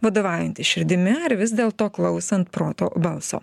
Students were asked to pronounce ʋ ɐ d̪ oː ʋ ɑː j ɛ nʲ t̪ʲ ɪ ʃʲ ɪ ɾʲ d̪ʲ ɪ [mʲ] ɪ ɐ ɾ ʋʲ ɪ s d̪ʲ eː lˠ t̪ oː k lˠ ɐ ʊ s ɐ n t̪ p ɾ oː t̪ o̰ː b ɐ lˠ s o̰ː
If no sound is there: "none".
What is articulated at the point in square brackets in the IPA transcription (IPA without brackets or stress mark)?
mʲ